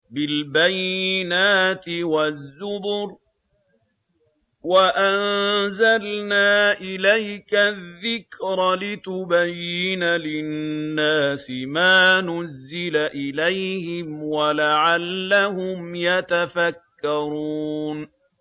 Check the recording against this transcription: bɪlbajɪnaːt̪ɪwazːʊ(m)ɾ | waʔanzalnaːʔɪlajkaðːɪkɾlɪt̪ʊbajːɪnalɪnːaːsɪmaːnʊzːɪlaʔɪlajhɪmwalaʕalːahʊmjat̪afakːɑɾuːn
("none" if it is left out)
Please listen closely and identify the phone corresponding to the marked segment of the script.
b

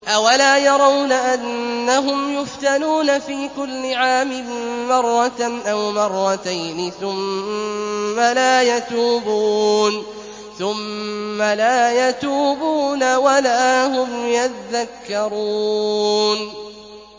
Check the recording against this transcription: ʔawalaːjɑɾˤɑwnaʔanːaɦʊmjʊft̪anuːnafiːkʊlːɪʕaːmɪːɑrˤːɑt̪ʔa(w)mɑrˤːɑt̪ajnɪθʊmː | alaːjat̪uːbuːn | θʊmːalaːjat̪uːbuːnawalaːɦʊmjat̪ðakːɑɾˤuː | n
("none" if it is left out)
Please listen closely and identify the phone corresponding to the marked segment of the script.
w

